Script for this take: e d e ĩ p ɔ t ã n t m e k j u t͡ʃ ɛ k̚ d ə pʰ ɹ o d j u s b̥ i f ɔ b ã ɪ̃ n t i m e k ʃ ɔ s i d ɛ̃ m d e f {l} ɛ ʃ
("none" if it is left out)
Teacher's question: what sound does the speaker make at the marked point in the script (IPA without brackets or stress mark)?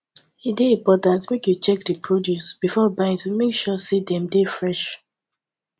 ɹ